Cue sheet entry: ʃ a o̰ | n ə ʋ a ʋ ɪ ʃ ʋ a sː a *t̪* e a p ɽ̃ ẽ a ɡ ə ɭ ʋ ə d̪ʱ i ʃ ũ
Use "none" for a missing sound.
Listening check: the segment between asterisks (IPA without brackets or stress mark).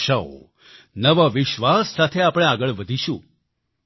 t̪ʰ